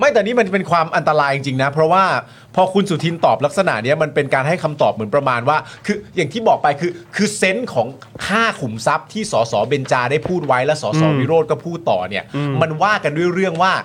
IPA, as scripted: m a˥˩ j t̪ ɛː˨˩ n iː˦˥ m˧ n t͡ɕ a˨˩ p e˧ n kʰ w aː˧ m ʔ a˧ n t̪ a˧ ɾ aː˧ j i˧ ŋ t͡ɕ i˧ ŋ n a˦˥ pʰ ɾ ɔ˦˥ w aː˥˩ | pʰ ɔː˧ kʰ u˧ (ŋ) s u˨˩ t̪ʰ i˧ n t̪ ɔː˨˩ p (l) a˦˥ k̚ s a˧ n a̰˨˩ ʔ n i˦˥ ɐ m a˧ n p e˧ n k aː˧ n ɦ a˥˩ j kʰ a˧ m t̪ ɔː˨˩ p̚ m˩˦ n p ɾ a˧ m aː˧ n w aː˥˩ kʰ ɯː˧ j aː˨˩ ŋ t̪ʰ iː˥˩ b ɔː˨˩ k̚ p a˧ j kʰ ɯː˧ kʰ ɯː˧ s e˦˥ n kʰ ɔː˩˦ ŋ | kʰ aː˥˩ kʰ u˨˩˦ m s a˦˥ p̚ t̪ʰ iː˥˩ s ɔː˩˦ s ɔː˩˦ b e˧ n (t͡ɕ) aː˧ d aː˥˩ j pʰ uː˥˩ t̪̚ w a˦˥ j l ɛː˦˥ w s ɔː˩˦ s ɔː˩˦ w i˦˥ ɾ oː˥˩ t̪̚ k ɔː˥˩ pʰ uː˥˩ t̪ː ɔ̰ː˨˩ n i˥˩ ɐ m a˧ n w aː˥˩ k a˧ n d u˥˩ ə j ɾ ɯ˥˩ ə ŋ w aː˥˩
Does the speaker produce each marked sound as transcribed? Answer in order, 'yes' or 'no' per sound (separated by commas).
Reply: no, yes, yes